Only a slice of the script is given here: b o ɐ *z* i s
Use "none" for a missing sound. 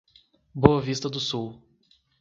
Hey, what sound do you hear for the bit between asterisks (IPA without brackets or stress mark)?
v